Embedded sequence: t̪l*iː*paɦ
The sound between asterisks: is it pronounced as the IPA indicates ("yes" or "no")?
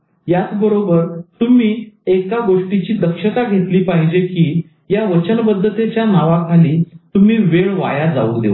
yes